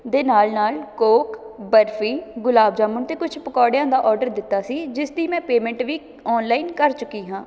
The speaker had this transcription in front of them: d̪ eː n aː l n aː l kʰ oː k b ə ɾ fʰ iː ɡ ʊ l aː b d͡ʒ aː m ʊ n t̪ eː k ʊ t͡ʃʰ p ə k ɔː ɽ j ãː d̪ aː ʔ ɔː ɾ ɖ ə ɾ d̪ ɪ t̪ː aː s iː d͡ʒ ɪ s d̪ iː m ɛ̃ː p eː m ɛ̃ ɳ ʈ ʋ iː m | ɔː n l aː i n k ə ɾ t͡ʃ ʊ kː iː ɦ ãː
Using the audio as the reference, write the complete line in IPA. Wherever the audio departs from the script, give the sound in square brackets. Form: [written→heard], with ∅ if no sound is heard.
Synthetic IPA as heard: d̪ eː n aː l n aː l [kʰ→k] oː k b ə ɾ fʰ iː ɡ ʊ l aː b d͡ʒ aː m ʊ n t̪ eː k ʊ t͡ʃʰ p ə k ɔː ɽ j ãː d̪ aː ʔ ɔː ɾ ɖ ə ɾ d̪ ɪ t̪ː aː s iː d͡ʒ ɪ s d̪ iː m ɛ̃ː p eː m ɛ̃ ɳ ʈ ʋ iː [m→∅] | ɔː n l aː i n k ə ɾ t͡ʃ ʊ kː iː ɦ ãː